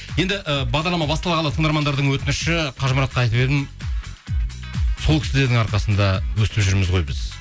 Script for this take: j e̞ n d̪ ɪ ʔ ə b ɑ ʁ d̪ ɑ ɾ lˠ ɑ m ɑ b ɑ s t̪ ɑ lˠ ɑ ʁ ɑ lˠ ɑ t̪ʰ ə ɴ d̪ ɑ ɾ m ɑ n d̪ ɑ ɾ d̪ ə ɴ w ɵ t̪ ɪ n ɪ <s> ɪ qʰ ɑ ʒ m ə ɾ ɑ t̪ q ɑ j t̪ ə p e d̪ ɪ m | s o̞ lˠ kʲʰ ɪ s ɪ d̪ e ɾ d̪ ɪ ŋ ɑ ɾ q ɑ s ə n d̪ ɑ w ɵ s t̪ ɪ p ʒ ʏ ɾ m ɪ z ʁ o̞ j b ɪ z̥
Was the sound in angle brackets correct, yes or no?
no